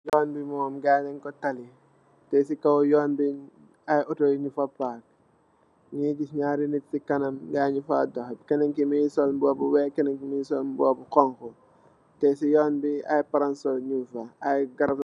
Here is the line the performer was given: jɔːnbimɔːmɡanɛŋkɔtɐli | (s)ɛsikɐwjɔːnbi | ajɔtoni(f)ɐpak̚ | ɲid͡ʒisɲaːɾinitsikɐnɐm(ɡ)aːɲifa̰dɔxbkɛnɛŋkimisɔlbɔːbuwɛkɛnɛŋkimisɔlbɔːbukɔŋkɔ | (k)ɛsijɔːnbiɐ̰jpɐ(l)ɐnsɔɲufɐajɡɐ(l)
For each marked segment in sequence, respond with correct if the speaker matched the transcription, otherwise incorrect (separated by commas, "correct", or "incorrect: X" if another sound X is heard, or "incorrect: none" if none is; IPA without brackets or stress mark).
incorrect: t, correct, correct, incorrect: t, incorrect: ɾ, incorrect: ɾ